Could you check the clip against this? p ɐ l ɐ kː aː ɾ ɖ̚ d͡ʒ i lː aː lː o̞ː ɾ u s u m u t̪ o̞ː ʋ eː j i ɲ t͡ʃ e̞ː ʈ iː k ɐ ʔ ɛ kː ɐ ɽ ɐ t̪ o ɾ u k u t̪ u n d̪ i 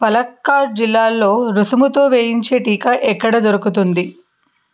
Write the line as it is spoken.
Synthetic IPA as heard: p ɐ l ɐ kː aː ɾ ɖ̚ d͡ʒ i lː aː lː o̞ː ɾ u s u m u t̪ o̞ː ʋ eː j i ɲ t͡ʃ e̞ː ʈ iː k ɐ ʔ ɛ kː ɐ ɽ ɐ d̪ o ɾ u k u t̪ u n d̪ i